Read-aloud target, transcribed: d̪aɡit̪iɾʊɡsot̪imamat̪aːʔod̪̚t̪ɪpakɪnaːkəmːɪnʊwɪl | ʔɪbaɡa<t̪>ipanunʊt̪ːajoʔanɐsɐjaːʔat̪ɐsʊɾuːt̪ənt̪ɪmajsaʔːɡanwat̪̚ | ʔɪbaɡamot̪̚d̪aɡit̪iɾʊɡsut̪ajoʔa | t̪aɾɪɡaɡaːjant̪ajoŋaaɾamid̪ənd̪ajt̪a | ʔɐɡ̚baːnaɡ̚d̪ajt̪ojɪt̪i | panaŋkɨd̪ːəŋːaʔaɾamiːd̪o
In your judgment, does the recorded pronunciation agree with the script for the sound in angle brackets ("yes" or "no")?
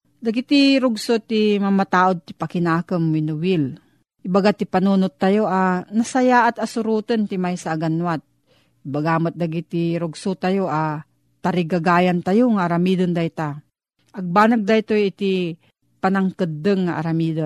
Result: yes